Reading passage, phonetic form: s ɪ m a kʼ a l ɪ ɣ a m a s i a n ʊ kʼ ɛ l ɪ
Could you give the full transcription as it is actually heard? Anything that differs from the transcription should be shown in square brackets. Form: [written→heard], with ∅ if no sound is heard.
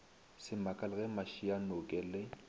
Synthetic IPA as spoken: s ɪ m a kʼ a l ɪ ɣ [a→ɛ] m a [s→ʃ] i a n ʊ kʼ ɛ l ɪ